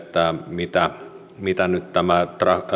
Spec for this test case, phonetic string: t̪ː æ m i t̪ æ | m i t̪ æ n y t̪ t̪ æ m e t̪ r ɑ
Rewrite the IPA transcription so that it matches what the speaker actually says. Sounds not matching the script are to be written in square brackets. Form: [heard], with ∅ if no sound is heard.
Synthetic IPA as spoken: t̪ː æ m i t̪ æ | m i t̪ æ n y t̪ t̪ æ m [æ] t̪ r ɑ

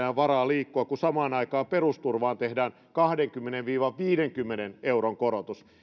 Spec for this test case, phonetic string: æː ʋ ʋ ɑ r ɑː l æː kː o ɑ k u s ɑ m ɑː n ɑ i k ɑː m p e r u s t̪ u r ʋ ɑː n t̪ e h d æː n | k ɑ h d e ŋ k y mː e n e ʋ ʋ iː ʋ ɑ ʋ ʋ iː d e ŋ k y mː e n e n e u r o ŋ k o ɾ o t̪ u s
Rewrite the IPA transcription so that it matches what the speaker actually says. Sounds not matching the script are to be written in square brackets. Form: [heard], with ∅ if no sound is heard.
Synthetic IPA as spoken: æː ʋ ʋ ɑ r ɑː l [iː] kː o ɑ k u s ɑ m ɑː n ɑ i k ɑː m p e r u s t̪ u r ʋ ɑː n t̪ e h d æː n | k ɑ h d e ŋ k y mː e n e ʋ ʋ iː ʋ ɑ ʋ ʋ iː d e ŋ k y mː e n e n e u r o ŋ k o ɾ o t̪ u s

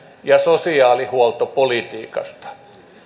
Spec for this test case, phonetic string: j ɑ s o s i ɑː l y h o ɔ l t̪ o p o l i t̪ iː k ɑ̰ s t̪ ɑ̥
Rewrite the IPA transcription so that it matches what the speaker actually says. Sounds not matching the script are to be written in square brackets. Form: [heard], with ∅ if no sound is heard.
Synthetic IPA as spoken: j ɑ s o s i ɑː l [i] h [u] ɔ l t̪ o p o l i t̪ iː k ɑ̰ s t̪ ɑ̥

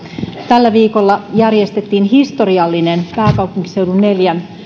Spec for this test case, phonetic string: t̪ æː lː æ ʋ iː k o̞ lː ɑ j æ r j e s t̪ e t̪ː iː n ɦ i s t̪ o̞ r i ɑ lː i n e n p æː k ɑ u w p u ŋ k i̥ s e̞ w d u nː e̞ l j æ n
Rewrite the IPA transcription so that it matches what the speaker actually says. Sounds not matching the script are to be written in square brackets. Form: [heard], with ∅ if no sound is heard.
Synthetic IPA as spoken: t̪ [æ] lː æ ʋ iː k o̞ lː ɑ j æ r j e s t̪ e t̪ː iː n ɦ i s t̪ o̞ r i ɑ lː i n e n p æː k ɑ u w p u ŋ k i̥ s e̞ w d u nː e̞ l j æ n

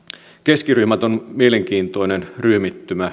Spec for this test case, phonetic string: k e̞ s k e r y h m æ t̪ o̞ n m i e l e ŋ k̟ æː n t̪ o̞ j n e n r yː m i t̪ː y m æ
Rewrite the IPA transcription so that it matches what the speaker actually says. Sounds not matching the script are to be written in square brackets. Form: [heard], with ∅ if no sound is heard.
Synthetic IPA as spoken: k e̞ s k [i] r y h m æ t̪ o̞ n m i e l e ŋ k̟ [iː] n t̪ o̞ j n e n r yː m i t̪ː y m æ

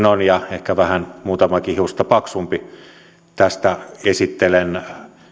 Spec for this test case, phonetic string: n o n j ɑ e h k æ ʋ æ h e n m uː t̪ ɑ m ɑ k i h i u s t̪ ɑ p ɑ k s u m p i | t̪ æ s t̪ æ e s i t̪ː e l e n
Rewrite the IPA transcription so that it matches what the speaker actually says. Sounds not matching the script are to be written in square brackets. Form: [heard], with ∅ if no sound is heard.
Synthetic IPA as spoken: n o n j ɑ e h k æ ʋ æ h [æ] n m uː t̪ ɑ m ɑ k i h i u s t̪ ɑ p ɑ k s u m p i | t̪ æ s t̪ æ e s i t̪ː e l e n

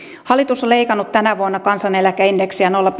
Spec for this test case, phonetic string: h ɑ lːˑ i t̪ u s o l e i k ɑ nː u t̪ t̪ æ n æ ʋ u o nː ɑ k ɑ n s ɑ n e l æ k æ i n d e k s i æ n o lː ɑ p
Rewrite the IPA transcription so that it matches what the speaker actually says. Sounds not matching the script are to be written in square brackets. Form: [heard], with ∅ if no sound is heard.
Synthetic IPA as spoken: h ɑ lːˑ i t̪ u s o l e i k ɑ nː u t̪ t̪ æ n æ ʋ u o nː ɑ k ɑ n s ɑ n e l æ k æ i n d e k s i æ n o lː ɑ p

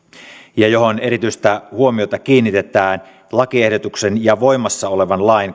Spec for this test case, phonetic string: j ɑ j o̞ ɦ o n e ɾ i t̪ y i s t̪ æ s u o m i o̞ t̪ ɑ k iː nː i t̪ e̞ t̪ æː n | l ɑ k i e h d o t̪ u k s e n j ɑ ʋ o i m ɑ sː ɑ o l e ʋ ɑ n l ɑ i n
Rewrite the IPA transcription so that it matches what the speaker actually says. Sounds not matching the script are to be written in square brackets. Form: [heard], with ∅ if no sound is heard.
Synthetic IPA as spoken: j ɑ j o̞ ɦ o n e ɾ i t̪ y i s t̪ æ [h] u o m i o̞ t̪ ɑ k iː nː i t̪ e̞ t̪ æː n | l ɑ k i e h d o t̪ u k s e n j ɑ ʋ o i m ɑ sː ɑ o l e ʋ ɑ n l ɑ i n

